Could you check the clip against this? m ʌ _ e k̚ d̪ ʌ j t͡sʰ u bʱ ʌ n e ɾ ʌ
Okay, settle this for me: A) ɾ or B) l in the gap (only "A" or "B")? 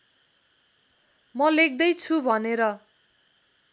B